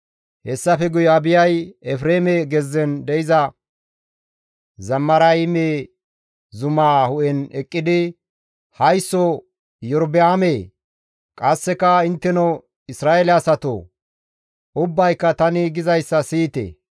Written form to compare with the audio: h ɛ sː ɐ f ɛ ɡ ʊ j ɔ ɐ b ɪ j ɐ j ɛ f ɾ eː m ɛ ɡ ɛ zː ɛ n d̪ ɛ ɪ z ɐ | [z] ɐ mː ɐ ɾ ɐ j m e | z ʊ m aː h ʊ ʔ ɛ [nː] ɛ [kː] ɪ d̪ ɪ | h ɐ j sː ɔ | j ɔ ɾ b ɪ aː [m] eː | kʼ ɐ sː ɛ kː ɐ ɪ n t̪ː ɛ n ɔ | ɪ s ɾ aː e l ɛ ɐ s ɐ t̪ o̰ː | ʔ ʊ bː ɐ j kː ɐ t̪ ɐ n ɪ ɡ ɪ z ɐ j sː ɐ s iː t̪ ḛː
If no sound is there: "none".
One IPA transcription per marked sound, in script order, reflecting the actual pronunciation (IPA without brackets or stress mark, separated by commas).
z, n, kʼː, m